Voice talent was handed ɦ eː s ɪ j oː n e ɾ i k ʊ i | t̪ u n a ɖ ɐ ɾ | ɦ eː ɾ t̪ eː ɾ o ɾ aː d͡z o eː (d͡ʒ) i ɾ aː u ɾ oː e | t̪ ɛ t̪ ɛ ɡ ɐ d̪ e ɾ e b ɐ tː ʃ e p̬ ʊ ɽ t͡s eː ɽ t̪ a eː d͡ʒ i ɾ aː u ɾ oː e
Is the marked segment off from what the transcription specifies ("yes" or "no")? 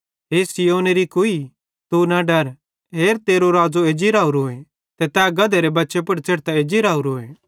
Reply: no